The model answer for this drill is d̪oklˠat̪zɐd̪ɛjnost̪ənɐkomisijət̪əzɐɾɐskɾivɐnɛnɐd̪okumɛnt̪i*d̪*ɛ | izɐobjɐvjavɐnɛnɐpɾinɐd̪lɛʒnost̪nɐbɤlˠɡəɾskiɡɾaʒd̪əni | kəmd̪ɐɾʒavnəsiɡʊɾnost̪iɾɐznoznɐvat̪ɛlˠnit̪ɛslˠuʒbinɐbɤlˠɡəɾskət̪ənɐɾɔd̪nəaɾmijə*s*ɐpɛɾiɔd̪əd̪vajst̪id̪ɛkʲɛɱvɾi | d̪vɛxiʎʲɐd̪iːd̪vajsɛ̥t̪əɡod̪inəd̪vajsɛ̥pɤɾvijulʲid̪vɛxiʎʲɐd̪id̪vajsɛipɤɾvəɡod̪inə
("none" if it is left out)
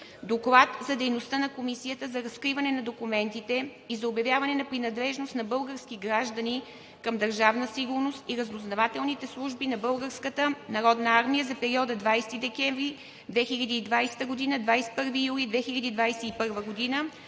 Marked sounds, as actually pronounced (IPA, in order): t̪, z

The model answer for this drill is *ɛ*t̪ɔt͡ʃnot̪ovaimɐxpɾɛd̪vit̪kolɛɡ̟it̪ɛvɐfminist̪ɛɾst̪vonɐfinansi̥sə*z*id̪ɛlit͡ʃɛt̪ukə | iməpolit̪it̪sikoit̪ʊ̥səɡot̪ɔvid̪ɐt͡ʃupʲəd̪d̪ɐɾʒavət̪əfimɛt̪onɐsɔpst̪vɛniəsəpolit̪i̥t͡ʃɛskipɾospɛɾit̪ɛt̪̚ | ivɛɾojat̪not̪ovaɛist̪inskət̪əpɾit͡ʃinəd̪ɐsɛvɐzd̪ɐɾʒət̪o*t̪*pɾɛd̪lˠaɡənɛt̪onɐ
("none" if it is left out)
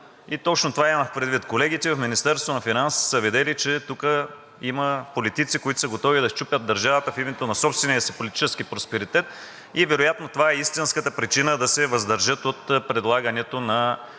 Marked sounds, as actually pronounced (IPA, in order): i, v, t̪

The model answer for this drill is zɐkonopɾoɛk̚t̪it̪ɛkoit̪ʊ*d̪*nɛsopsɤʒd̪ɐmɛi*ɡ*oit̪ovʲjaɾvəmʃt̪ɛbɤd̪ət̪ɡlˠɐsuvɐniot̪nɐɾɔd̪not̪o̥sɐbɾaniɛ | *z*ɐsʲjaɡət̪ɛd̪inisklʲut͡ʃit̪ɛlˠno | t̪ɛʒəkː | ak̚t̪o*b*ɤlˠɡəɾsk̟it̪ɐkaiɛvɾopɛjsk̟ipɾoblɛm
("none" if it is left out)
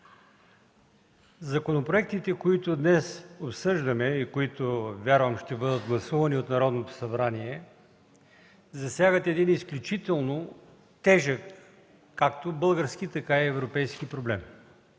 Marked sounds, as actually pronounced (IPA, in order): d̪, k, z, b

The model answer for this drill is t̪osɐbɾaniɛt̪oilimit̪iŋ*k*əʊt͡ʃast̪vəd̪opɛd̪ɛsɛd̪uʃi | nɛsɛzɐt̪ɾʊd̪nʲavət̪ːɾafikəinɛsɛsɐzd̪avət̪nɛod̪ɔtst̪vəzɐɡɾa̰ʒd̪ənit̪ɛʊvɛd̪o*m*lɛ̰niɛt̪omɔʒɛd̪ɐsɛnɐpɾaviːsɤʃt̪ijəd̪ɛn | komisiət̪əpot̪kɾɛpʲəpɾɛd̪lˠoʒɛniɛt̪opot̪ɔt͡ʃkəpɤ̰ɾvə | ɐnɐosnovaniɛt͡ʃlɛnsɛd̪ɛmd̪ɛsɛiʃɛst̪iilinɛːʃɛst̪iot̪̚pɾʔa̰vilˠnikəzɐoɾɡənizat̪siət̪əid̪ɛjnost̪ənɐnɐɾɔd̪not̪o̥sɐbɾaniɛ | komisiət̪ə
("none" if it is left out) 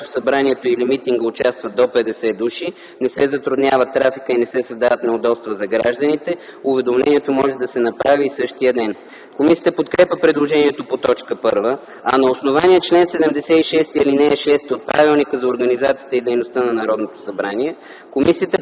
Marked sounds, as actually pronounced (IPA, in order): ɡ, m

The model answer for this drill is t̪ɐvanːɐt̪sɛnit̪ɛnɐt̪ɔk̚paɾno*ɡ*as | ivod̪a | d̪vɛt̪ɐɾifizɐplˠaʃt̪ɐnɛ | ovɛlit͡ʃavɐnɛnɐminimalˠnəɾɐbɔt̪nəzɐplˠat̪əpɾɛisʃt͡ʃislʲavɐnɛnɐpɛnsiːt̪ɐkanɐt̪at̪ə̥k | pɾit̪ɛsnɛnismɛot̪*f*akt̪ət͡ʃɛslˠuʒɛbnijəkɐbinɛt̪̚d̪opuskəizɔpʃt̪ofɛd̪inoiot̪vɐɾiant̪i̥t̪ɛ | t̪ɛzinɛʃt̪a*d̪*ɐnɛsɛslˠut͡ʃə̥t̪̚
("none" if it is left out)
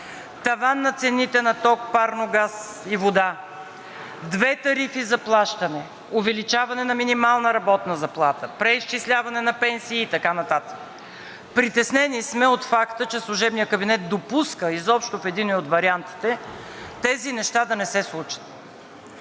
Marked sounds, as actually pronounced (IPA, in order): ɡ, f, d̪

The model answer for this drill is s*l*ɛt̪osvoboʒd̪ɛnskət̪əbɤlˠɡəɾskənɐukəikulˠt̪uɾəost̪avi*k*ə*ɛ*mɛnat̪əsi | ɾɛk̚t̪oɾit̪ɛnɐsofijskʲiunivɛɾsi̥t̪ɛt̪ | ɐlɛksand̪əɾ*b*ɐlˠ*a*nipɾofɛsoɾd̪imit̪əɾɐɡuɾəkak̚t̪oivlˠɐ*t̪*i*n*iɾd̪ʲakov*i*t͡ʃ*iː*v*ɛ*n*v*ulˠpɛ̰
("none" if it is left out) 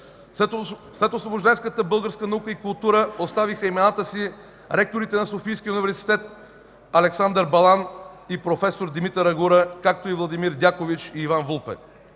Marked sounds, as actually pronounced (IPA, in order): l, x, i, b, a, d̪, m, i, iː, a, v

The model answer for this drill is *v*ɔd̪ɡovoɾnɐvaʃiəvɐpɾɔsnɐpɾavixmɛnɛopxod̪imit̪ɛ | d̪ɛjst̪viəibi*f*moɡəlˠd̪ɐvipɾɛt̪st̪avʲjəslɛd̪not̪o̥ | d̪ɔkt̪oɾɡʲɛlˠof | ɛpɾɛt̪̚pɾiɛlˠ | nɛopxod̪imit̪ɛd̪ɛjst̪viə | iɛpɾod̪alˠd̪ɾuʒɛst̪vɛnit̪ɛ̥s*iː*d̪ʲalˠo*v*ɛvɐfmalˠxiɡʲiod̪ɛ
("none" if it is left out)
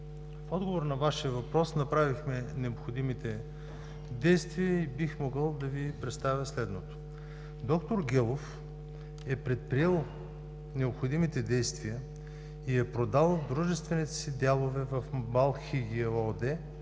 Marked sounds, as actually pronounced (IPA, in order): f, x, i, v

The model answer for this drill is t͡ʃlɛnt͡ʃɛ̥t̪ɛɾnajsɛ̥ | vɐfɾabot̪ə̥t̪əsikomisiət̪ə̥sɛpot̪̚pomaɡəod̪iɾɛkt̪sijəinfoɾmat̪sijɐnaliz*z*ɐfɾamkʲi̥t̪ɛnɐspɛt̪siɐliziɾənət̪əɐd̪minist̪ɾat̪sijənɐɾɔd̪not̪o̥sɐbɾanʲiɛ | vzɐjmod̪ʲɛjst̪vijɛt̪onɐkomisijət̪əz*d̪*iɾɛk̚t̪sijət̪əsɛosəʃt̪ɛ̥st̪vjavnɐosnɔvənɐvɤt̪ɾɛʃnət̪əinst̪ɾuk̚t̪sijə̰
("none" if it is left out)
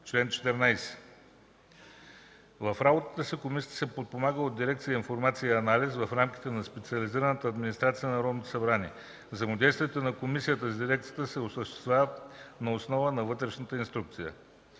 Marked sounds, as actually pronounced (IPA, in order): v, d̪

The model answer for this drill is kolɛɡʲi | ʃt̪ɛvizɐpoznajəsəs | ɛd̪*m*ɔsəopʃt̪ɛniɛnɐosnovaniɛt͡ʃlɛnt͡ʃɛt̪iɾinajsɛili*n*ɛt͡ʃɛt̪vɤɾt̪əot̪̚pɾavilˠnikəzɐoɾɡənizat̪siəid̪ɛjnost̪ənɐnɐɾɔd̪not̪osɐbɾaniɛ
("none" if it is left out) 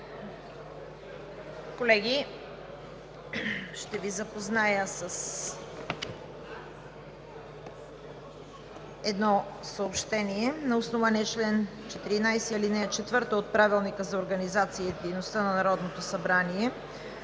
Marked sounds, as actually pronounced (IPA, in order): n, n

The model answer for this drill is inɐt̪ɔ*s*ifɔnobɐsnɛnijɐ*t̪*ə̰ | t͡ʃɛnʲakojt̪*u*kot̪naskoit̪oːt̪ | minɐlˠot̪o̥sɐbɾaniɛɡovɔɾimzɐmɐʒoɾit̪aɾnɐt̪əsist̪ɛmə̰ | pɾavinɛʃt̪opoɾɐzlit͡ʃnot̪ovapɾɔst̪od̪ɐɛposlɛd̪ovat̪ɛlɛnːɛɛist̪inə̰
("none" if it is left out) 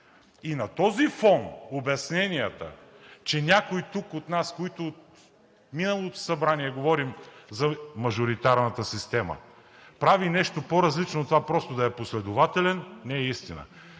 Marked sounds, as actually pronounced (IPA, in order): z, t̪, u

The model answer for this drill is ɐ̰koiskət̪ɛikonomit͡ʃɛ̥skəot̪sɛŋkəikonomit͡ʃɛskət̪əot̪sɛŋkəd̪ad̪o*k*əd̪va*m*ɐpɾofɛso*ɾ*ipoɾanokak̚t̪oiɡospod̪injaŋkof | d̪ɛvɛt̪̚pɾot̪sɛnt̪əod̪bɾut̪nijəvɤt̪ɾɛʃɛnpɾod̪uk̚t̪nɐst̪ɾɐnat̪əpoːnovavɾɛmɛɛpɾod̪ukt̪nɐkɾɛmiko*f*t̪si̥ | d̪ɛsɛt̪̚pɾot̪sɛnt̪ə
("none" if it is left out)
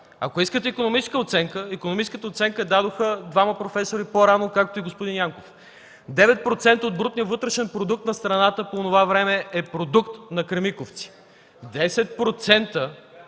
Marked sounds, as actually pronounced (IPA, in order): x, m, ɾ, f

